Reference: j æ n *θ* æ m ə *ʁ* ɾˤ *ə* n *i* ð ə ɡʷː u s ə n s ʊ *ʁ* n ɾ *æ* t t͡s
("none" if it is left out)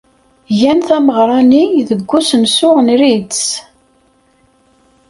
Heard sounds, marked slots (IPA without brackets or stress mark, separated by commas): θ, ʁ, ɑ, i, ʁ, i